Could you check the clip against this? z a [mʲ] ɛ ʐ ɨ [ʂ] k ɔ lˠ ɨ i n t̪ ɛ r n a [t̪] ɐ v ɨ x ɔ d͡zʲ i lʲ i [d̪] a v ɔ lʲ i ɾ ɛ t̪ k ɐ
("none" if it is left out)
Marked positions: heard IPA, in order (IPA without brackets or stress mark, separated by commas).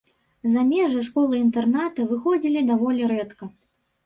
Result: mʲ, ʂ, t̪, d̪